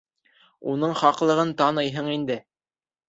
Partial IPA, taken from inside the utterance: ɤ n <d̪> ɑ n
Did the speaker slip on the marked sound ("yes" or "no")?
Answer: yes